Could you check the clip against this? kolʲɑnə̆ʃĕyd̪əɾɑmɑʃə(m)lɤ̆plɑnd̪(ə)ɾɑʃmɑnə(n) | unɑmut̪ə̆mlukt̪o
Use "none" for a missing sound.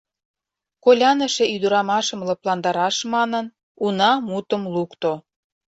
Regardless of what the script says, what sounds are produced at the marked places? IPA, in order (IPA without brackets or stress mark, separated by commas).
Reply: m, ɑ, n